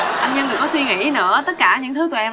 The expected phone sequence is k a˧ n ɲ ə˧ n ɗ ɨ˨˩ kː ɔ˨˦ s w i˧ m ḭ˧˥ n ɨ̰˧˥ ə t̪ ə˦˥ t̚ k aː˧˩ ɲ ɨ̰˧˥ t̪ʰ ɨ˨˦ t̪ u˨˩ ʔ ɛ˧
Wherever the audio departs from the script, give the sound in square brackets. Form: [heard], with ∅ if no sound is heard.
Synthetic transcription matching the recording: [ʔ] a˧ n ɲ ə˧ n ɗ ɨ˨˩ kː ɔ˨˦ s w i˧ [ŋ] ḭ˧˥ n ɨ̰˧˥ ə t̪ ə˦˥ t̚ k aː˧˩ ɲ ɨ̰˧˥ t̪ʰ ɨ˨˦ t̪ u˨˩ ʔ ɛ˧